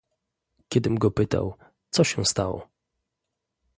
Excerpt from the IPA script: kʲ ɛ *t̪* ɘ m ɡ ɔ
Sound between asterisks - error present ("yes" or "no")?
yes